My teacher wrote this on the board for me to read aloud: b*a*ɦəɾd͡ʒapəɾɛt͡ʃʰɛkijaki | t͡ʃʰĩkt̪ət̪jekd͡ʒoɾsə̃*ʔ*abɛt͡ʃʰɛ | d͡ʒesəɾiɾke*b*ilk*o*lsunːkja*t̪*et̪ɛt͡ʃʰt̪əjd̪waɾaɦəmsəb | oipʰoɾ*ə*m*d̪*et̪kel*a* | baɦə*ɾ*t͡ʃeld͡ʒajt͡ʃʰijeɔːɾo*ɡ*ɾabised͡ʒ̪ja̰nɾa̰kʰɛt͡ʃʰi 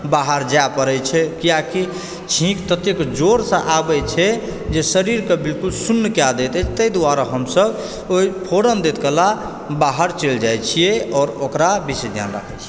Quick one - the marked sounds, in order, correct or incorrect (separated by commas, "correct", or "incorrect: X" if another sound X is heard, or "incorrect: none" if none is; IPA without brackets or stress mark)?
correct, correct, correct, incorrect: u, incorrect: d̪, correct, correct, correct, correct, incorrect: k